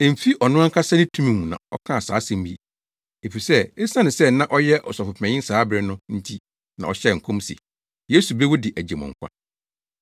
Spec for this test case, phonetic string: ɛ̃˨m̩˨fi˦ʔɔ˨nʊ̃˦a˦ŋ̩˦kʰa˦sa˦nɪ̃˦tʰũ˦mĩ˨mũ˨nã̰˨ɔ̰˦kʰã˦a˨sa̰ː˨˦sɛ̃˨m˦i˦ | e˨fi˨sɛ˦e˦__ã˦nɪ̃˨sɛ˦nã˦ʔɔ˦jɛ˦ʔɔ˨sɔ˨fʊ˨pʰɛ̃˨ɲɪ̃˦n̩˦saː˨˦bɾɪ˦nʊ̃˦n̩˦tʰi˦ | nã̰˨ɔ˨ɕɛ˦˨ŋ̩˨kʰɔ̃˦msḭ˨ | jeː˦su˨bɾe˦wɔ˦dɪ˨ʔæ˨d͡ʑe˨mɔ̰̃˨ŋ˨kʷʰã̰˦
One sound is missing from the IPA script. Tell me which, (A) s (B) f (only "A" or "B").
A